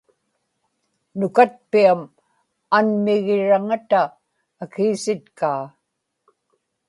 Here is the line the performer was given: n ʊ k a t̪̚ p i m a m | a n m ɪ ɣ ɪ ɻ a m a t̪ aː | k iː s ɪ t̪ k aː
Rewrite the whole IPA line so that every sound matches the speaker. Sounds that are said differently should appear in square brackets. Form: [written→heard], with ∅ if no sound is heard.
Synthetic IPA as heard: n ʊ k a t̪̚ p i [m→∅] a m | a n m ɪ ɣ ɪ ɻ a [m→ŋ] a t̪ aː | k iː s ɪ t̪ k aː